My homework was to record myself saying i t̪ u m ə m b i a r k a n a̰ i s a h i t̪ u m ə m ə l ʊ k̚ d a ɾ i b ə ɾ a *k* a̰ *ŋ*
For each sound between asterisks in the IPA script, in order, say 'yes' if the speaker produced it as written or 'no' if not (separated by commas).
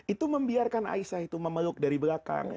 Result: yes, yes